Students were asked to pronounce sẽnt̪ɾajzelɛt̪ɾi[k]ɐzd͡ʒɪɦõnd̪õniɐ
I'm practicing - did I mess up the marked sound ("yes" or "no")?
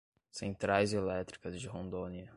no